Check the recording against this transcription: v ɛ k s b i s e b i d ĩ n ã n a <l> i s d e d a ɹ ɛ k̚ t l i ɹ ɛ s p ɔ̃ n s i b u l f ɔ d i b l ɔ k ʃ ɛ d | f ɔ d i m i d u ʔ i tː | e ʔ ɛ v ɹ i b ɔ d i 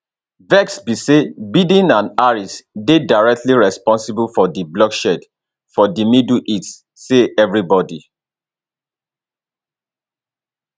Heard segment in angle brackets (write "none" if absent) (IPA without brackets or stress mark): ɹ